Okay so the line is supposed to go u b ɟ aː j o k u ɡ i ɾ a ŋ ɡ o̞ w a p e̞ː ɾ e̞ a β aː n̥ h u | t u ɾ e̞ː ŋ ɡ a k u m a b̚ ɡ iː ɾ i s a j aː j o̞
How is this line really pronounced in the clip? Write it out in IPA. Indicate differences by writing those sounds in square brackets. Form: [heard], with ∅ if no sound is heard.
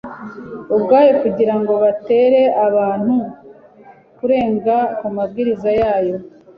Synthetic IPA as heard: u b [ɡ] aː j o k u [ɟ] i ɾ a ŋ ɡ o̞ [β] a [t] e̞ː ɾ e̞ a β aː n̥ h u | [k] u ɾ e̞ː ŋ ɡ a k u m a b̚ ɡ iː ɾ i [z] a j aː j o̞